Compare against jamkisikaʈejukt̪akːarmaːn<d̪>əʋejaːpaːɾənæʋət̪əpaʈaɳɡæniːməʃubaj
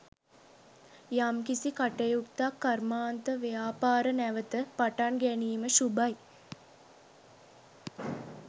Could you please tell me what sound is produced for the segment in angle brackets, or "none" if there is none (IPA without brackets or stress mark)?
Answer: t̪